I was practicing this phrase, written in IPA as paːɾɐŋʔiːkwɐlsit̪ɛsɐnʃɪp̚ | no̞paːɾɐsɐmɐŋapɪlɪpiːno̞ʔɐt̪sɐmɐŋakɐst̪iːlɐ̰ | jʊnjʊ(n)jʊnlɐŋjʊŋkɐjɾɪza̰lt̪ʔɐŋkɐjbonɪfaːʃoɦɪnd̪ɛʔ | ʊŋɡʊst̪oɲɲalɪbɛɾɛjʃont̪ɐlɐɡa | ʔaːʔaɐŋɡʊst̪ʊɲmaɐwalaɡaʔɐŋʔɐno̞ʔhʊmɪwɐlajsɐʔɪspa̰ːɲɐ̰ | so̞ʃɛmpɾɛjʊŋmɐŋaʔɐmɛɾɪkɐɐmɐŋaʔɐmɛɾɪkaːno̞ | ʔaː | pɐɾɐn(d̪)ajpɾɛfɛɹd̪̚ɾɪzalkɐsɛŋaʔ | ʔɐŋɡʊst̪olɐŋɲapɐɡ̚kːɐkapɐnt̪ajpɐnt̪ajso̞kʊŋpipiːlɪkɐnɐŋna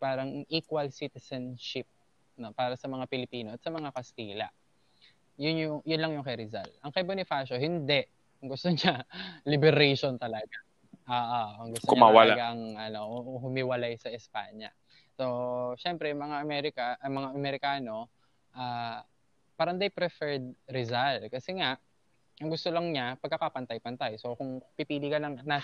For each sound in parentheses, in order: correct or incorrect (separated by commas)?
incorrect, correct